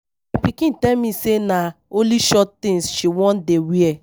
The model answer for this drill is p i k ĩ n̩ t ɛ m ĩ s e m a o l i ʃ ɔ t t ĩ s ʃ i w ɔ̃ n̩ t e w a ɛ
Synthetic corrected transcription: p i k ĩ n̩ t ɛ m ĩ s e n a o l i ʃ ɔ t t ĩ s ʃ i w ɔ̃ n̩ d e w i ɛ